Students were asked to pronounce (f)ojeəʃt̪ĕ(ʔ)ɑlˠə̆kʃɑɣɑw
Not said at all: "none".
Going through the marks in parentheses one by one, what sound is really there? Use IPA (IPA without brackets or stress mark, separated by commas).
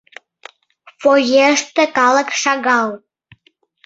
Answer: f, k